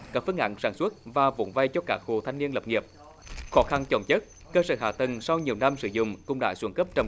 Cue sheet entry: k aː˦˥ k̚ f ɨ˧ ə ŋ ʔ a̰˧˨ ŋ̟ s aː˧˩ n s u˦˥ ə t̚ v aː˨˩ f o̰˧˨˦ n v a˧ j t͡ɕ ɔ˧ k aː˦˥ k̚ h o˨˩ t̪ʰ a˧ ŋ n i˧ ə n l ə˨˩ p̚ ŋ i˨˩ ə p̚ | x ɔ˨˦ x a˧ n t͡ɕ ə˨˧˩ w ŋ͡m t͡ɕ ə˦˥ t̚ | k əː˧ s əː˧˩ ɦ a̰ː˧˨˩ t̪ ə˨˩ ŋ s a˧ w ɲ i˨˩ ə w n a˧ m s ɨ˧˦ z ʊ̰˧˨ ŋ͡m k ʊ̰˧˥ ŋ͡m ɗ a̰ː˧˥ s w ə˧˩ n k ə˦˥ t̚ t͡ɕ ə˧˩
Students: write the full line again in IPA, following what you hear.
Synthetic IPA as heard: k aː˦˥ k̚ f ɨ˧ ə ŋ ʔ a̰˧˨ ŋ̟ s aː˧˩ n s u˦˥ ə t̚ v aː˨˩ v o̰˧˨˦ n v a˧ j t͡ɕ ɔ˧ k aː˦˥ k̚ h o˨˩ t̪ʰ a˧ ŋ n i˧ ə n l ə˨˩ p̚ ŋ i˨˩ ə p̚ | x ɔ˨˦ x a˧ n t͡ɕ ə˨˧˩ w ŋ͡m t͡ɕ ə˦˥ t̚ | k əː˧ s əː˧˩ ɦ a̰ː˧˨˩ t̪ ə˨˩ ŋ s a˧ w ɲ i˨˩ ə w n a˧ m s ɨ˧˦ z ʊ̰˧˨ ŋ͡m k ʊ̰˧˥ ŋ͡m ɗ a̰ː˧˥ s w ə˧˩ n k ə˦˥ p̚ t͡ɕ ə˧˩